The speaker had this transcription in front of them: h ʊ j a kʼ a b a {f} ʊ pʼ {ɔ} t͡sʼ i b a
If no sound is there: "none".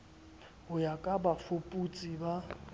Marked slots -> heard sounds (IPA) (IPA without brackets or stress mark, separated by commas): f, u